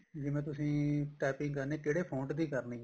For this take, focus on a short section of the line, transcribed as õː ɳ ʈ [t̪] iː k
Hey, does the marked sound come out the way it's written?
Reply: no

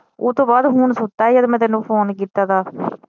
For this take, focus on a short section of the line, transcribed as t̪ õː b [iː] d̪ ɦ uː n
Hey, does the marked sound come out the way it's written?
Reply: no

